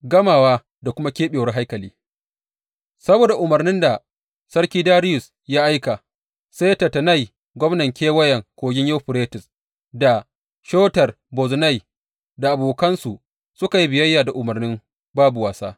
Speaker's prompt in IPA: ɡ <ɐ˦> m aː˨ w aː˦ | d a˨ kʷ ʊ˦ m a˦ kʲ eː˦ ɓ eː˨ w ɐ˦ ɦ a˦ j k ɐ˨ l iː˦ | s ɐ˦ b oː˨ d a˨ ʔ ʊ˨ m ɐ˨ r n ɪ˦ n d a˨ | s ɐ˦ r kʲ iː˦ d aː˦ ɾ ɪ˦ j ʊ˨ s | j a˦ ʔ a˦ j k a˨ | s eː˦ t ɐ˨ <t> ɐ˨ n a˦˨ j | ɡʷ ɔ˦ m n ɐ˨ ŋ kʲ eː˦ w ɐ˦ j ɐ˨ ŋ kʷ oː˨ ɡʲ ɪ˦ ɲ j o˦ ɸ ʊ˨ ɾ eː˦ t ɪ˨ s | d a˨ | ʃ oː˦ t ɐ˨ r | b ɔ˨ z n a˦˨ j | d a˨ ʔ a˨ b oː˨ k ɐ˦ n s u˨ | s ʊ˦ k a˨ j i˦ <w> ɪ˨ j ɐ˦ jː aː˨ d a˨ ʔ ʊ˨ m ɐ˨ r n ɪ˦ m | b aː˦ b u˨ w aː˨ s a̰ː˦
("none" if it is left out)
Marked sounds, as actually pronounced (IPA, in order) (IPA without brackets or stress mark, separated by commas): ɐ˦, t, b